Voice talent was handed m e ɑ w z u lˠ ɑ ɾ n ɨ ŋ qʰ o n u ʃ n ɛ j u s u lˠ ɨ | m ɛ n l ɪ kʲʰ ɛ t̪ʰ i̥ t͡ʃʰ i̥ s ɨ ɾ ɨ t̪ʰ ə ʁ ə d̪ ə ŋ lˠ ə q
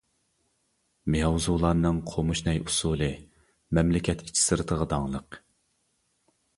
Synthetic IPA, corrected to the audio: m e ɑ w z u lˠ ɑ ɾ n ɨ ŋ qʰ o m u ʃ n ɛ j u s u lˠ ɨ | m ɛ m l ɪ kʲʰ ɛ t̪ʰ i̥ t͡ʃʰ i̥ s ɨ ɾ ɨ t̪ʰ ə ʁ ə d̪ ɑ ŋ lˠ ə q